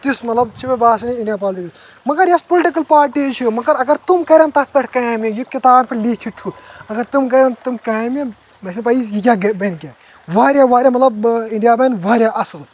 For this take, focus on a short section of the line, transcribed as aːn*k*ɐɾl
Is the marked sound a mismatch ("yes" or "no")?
yes